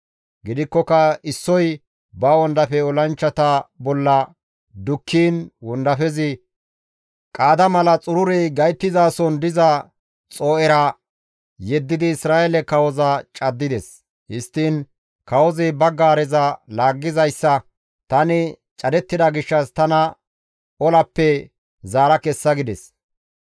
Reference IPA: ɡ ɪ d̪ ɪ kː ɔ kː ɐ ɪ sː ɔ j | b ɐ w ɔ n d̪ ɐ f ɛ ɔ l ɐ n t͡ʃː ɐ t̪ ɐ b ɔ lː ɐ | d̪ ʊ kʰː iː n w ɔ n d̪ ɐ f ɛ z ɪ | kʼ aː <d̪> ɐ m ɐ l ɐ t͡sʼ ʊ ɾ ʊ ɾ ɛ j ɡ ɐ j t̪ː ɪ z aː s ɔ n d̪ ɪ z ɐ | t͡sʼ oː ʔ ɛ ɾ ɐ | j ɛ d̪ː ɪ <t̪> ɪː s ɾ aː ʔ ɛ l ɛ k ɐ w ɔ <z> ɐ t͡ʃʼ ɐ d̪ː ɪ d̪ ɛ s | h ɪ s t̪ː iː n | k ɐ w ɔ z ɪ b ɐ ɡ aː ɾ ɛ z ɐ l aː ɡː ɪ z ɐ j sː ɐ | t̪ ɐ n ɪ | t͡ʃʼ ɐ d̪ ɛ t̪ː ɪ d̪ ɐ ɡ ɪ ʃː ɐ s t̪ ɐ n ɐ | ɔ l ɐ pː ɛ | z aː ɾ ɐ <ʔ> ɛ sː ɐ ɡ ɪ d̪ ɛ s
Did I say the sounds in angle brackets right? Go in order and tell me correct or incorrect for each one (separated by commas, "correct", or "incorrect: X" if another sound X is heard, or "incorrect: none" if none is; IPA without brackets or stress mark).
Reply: correct, incorrect: d̪, correct, incorrect: k